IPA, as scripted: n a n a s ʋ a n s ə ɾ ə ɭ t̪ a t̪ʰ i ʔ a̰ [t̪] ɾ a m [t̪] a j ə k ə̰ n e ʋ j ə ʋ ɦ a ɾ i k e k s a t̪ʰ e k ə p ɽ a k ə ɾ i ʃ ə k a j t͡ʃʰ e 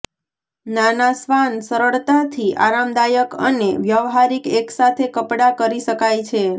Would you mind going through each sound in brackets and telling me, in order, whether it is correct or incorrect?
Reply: incorrect: none, incorrect: d̪

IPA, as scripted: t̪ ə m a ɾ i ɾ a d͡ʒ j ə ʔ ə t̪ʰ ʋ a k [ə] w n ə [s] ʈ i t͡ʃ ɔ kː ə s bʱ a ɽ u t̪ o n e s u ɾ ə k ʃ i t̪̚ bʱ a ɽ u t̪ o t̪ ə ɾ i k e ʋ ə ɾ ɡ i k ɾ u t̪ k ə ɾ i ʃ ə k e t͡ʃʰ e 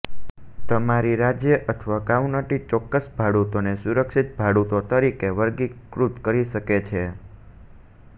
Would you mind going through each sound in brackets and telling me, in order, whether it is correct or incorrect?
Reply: incorrect: a, incorrect: none

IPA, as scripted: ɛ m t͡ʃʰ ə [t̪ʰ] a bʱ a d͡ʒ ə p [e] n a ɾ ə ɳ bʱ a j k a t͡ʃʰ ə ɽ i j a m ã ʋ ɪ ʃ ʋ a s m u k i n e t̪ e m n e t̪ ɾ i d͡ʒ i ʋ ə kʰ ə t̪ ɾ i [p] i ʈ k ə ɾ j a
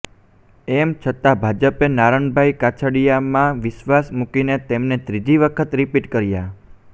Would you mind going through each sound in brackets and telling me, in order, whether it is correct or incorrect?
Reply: incorrect: t̪, correct, correct

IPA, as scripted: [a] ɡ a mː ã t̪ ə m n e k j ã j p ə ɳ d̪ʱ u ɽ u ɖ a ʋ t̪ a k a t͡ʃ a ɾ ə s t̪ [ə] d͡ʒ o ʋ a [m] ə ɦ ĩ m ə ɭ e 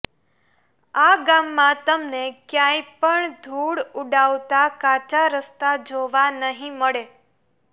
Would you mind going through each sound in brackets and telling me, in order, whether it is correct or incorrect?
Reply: correct, incorrect: a, incorrect: n

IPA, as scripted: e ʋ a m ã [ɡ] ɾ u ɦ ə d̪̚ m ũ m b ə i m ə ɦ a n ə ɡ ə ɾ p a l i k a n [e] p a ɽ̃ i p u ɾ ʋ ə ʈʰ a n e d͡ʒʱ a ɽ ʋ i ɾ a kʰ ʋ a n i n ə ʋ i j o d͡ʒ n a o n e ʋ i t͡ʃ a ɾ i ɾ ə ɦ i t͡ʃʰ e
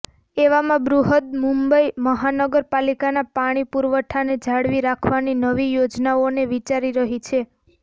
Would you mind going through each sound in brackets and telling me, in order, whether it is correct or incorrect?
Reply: incorrect: b, incorrect: a

